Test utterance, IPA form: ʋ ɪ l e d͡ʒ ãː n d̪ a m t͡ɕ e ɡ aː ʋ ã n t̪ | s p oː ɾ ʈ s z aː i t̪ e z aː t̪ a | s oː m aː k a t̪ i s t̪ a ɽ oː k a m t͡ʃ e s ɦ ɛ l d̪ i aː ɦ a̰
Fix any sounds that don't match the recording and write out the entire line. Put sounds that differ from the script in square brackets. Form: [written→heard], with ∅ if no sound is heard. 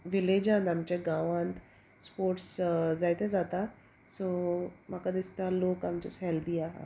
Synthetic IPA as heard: ʋ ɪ l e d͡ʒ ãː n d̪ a m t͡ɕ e ɡ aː ʋ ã n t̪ | s p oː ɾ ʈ s z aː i t̪ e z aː t̪ a | s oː m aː k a [t̪→d̪] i s t̪ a [ɽ→l] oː k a m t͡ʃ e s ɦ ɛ l d̪ i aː ɦ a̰

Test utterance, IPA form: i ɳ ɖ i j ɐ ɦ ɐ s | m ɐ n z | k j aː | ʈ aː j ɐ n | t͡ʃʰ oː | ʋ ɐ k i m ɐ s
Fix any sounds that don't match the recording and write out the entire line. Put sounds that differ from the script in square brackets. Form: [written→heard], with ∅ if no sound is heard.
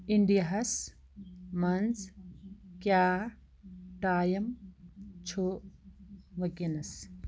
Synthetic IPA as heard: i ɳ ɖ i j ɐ ɦ ɐ s | m ɐ n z | k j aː | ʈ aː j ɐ [n→m] | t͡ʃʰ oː | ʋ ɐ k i [m→n] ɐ s

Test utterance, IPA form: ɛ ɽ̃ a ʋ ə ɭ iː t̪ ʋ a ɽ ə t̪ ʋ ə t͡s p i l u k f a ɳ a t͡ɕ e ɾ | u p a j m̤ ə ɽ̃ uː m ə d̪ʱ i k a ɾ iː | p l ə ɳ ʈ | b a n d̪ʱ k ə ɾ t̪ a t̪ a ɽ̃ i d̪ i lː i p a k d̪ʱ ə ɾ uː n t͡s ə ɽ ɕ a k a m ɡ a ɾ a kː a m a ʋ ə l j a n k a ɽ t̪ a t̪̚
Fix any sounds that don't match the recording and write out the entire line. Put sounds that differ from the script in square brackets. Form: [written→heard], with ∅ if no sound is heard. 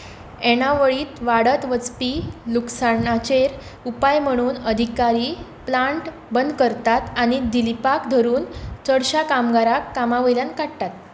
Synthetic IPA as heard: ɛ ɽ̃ a ʋ ə ɭ iː t̪ ʋ a ɽ ə t̪ ʋ ə t͡s p i l u k [f→s] a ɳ a t͡ɕ e ɾ | u p a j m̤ ə ɽ̃ uː [m→n] ə d̪ʱ i k a ɾ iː | p l [ə→a] ɳ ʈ | b [a→ə] n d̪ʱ k ə ɾ t̪ a t̪ a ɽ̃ i d̪ i [lː→l] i p a k d̪ʱ ə ɾ uː n t͡s ə ɽ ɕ a k a m ɡ a ɾ a kː a m a ʋ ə l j a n k a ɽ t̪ a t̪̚

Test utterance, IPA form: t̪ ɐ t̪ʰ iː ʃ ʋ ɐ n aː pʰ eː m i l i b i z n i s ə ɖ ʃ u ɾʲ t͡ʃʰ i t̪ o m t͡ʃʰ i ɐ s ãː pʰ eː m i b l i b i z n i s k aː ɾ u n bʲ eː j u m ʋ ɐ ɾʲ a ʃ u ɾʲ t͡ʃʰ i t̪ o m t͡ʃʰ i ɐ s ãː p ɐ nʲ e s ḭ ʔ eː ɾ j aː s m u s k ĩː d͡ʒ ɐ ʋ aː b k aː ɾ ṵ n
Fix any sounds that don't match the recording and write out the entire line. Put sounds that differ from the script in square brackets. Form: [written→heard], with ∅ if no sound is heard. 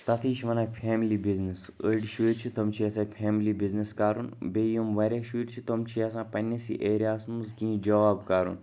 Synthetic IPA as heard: t̪ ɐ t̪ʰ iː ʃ ʋ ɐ n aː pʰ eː m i l i b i z n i s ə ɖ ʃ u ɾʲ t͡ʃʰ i t̪ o m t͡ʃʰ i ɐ s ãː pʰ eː m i [b→∅] l i b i z n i s k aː ɾ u n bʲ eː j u m ʋ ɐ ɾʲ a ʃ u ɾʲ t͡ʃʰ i t̪ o m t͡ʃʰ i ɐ s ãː p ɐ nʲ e s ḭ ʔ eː ɾ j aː s m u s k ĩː d͡ʒ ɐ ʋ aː b k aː ɾ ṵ n

